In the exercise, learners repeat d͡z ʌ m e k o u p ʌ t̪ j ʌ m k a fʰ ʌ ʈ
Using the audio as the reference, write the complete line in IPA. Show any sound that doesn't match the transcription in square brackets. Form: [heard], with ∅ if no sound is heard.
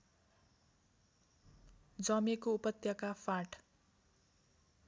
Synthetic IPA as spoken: d͡z ʌ m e k o u p ʌ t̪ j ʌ [∅] k a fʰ [a] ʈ